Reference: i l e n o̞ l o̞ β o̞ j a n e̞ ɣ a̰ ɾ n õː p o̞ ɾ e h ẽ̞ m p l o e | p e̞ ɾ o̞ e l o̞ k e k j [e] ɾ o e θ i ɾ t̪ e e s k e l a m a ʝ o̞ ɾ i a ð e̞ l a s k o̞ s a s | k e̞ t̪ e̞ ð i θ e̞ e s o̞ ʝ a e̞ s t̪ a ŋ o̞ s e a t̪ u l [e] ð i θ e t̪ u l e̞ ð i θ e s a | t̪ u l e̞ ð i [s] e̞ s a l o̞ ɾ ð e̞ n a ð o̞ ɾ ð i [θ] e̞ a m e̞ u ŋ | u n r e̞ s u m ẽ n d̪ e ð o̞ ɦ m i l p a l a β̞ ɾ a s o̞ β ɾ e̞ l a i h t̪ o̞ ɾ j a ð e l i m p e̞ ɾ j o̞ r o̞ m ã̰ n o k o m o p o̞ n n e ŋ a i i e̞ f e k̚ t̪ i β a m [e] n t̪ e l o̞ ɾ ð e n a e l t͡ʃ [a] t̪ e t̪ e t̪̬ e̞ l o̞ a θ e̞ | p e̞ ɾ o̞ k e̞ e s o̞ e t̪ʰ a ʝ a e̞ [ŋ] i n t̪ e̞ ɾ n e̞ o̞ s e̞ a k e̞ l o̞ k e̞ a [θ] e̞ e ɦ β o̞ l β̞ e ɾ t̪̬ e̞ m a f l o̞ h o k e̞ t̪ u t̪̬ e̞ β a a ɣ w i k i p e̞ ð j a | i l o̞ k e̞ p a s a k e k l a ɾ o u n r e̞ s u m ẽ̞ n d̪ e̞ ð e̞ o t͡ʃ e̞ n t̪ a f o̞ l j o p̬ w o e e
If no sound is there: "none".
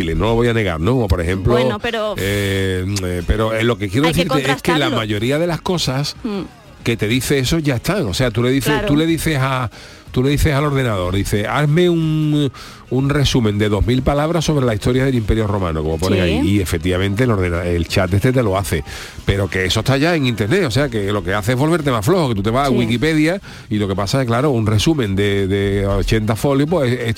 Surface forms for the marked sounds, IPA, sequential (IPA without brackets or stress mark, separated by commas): e, e, θ, θ, ẽ, a, ŋ, θ